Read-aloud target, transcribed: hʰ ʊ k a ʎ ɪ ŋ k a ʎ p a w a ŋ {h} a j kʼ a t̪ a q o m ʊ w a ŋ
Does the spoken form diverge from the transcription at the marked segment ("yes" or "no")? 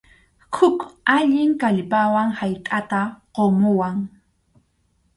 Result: no